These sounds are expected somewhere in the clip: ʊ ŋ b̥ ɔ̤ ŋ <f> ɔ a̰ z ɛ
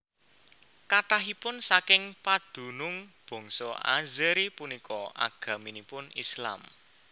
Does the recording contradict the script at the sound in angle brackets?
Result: yes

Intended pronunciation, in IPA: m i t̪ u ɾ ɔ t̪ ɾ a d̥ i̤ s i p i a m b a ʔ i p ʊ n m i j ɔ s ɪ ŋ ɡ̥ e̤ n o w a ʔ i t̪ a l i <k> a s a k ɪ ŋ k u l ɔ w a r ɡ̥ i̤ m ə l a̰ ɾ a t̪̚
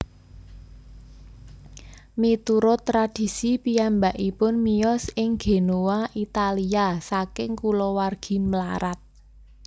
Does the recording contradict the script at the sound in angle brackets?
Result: yes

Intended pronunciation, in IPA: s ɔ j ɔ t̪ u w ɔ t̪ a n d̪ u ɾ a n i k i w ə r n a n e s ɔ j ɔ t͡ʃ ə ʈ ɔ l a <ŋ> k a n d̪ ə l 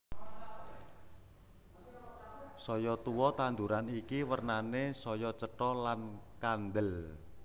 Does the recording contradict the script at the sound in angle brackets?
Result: yes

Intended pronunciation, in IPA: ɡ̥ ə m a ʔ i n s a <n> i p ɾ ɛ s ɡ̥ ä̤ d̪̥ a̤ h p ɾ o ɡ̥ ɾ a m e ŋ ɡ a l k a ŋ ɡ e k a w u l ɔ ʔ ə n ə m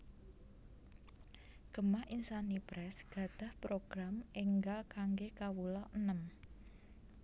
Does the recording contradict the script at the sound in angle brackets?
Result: no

